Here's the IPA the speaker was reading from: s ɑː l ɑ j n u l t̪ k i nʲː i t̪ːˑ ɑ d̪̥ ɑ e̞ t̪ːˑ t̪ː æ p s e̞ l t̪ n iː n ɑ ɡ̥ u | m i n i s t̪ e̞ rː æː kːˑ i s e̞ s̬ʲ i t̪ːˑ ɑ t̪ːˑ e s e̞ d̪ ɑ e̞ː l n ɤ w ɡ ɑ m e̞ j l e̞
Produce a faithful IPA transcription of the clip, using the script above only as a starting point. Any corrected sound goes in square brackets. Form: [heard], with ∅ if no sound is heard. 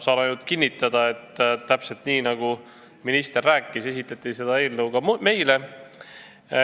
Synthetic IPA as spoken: s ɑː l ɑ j n u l t̪ k i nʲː i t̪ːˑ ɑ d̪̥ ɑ e̞ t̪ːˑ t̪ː æ p s e̞ l t̪ n iː n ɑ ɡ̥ u | m i n i s t̪ e̞ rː æː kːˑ i s e̞ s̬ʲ i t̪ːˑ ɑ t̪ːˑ [i] s e̞ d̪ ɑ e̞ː l n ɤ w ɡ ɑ m e̞ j l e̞